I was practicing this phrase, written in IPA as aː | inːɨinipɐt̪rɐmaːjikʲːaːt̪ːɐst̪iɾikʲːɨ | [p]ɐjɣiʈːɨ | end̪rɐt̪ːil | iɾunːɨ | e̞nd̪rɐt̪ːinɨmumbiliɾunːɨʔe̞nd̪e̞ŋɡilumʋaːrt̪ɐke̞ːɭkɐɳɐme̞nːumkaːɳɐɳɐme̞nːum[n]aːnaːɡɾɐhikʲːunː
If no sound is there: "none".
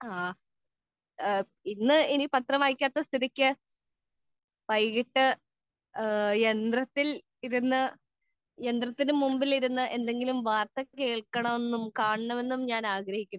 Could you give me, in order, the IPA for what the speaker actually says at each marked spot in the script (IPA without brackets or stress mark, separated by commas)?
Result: p, ɲ